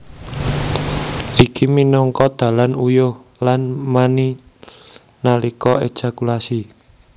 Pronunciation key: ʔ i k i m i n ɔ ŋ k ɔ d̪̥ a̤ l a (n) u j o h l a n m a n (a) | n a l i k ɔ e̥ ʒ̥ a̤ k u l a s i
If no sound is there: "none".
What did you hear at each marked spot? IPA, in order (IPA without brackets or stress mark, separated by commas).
n, i